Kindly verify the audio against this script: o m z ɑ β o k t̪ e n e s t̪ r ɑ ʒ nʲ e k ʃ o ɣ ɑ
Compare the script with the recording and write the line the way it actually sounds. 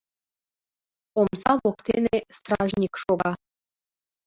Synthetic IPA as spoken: o m z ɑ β o k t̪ e n e s t̪ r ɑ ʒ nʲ i k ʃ o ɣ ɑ

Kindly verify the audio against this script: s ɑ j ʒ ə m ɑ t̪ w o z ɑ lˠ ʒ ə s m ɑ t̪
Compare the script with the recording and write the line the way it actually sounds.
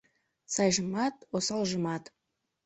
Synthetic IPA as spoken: s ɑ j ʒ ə m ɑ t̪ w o s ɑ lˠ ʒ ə m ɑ t̪

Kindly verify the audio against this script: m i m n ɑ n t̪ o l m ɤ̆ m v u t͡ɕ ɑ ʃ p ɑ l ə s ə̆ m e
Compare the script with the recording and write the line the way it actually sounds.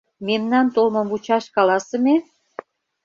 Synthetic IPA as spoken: m e m n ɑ n t̪ o l m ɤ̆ m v u t͡ɕ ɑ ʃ k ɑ l ɑ s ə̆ m e

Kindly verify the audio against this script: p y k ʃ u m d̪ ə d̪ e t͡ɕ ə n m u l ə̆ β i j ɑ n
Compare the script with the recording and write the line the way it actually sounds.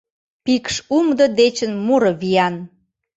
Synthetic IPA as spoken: p i k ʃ u m d̪ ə d̪ e t͡ɕ ə n m u ɾ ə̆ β i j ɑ n

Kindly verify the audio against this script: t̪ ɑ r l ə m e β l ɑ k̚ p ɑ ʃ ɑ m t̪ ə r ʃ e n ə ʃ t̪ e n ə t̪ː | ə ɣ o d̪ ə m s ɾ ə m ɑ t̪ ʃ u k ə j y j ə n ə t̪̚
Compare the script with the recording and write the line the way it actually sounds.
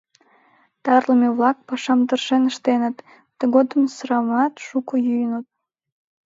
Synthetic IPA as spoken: t̪ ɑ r l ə m e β l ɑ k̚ p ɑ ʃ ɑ m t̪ ə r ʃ e n ə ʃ t̪ e n ə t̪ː | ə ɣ o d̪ ə m s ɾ ɑ m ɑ t̪ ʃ u k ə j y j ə n ə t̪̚

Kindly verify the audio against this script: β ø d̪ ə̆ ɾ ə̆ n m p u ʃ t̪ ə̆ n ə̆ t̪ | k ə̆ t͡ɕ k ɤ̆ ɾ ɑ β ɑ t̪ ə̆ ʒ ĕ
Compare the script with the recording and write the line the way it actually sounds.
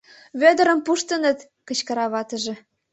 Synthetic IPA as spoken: β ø d̪ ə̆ ɾ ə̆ m p u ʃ t̪ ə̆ n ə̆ t̪ | k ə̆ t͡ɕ k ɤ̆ ɾ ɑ β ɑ t̪ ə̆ ʒ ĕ

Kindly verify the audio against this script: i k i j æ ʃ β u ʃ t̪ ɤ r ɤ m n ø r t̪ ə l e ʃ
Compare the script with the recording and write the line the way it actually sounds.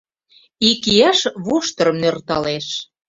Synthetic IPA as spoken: i k i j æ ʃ β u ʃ t̪ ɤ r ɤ m n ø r t̪ ɑ l e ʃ

